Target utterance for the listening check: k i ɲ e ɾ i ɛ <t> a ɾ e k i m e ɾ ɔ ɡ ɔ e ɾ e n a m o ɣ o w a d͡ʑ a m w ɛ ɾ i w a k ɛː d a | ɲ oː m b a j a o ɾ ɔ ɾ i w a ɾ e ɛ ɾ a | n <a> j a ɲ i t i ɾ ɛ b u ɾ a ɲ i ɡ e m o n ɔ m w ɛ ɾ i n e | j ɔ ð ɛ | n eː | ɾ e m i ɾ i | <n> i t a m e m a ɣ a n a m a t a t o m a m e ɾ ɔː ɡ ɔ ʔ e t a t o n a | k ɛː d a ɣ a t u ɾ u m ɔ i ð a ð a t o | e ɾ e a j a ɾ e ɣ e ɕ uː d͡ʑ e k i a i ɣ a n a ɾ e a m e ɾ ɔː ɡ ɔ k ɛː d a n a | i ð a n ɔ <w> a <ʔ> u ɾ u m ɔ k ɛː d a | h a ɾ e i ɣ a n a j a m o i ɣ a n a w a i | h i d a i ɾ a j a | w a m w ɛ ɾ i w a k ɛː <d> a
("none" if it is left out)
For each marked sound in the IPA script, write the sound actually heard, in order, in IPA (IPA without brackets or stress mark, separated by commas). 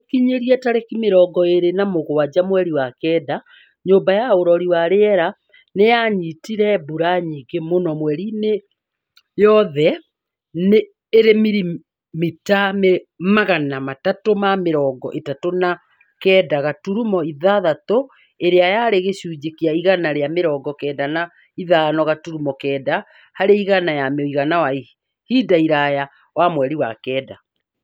t, e, m, ɣ, t, d